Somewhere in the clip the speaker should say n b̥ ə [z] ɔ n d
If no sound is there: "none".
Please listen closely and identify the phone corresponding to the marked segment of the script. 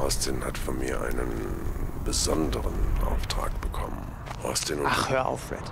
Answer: z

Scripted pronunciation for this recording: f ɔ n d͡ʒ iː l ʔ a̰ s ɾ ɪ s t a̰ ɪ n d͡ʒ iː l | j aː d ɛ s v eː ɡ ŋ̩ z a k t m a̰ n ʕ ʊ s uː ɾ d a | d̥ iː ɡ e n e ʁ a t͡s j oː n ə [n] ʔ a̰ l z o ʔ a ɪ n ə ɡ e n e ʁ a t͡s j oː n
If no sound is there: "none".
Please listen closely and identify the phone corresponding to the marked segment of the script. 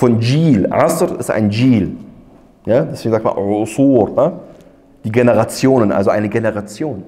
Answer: n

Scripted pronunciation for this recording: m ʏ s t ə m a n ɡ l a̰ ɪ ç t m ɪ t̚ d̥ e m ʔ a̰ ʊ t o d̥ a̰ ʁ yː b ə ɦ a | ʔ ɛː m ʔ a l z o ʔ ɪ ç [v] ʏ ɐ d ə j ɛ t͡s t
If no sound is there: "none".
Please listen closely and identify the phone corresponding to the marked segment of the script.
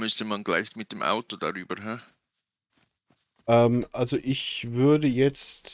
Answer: v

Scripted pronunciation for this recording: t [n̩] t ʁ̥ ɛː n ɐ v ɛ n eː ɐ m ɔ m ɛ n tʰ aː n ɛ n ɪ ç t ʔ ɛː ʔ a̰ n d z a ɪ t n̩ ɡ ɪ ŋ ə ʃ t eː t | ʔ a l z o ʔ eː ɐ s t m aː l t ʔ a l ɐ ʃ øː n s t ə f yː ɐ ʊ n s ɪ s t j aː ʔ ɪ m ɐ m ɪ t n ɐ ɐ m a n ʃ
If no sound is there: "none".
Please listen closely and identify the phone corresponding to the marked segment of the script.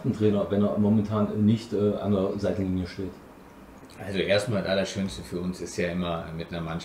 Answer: n̩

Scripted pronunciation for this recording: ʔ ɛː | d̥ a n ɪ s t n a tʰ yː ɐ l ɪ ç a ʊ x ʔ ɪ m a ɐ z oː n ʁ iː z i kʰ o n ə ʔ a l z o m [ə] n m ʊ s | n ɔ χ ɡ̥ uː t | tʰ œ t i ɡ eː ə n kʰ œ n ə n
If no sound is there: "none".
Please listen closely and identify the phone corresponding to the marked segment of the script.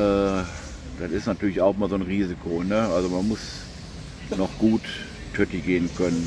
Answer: a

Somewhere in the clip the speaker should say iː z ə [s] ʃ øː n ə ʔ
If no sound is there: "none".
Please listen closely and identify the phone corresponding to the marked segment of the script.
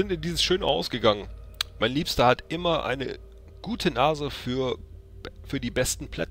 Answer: s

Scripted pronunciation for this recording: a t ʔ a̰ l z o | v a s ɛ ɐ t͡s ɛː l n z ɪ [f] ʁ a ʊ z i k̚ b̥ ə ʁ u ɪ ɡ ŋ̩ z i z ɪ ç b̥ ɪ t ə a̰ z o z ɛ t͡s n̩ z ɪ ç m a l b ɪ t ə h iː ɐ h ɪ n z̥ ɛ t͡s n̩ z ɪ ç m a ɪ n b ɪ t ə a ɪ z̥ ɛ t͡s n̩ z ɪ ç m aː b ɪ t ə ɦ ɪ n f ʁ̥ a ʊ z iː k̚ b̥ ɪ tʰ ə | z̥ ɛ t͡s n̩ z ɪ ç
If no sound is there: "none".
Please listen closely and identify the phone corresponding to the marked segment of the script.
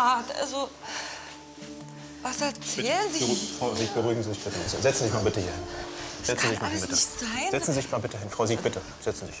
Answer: f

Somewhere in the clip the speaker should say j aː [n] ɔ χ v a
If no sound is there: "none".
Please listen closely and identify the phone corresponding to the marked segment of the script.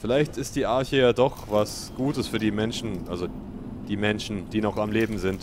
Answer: d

